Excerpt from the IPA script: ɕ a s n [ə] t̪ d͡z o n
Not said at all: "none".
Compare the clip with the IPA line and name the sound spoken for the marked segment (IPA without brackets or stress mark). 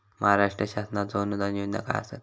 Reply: a